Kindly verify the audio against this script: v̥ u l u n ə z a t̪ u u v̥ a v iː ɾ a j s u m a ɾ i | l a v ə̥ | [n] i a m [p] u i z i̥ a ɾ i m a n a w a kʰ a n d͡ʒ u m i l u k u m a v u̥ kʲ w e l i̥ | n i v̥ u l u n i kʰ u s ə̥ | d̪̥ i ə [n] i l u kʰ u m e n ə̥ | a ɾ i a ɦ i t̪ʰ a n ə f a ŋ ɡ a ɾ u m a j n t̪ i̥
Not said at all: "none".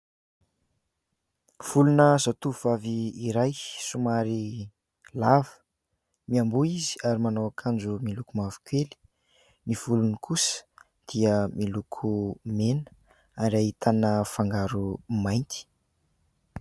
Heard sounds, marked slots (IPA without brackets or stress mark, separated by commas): m, b, m